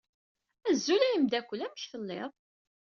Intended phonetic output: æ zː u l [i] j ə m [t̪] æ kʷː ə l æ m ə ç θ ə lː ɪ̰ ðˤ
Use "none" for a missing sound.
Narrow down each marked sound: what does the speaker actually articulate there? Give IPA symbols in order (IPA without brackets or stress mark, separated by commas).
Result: æ, d̪